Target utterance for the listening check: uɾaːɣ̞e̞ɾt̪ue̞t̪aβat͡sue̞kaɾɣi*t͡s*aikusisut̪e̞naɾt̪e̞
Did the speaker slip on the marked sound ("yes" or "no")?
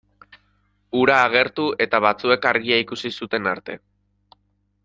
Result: yes